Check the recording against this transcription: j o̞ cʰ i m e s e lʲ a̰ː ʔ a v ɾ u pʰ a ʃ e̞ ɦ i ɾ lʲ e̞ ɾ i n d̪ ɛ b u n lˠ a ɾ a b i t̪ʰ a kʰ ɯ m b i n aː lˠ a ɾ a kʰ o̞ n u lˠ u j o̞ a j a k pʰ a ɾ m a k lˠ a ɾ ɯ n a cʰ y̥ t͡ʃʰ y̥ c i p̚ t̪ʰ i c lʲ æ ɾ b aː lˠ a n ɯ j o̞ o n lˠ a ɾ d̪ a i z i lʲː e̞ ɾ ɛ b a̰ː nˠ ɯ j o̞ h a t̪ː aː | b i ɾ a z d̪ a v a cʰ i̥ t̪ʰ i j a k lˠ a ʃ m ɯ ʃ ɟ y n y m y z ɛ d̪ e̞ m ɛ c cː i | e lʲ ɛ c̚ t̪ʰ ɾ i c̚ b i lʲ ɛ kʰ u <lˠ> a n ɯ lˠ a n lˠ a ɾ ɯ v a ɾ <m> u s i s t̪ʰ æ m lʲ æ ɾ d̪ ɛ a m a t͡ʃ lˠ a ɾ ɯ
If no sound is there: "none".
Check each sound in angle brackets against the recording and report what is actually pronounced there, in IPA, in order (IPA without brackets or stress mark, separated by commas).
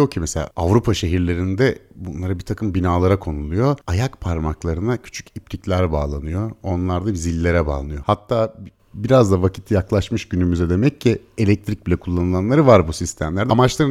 lˠː, b